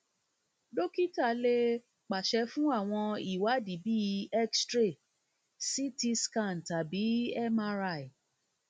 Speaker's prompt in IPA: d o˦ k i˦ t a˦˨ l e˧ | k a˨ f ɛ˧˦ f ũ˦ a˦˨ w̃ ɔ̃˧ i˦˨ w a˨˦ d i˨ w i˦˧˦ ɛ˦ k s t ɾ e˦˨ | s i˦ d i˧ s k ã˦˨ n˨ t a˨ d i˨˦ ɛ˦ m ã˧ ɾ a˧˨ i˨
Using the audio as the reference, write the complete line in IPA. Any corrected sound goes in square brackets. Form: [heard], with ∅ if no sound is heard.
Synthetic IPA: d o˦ k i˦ t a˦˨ l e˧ | [k͡p] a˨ [ʃ] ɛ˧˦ f ũ˦ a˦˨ w̃ ɔ̃˧ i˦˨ w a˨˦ d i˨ [b] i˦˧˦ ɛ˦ k s t ɾ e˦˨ | s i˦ [t] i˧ s k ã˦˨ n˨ t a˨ [b] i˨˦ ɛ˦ m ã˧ ɾ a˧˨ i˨